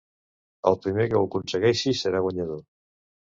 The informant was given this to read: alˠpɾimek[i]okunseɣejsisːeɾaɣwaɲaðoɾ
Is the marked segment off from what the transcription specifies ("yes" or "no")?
yes